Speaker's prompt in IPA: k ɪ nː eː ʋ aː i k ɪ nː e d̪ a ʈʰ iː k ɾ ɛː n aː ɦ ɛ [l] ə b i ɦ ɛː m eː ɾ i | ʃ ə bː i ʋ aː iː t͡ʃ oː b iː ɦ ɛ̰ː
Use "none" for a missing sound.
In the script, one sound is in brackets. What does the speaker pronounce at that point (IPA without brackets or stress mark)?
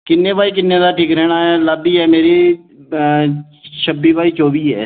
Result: l